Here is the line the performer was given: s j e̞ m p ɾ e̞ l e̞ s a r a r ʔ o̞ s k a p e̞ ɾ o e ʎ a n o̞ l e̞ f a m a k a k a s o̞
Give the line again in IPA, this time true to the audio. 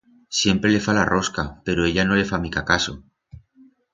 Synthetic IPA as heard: s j e̞ m p ɾ e̞ l e̞ f a l a r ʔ o̞ s k a p e̞ ɾ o e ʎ a n o̞ l e̞ f a m i k a k a s o̞